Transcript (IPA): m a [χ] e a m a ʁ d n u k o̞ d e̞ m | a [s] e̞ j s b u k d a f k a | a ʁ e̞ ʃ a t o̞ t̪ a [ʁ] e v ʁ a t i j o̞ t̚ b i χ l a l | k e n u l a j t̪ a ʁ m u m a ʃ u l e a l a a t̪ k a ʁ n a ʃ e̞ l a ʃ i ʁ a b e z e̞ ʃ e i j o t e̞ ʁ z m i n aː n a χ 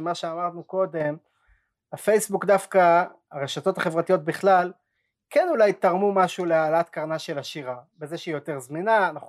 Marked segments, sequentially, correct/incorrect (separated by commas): incorrect, incorrect, incorrect